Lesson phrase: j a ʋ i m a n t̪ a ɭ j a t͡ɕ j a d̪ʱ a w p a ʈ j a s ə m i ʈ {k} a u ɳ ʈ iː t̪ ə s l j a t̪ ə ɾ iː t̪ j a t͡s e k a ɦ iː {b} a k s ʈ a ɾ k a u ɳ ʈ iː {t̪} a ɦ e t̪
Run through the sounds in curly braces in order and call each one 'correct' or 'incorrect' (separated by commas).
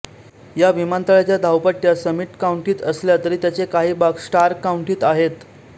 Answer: correct, correct, correct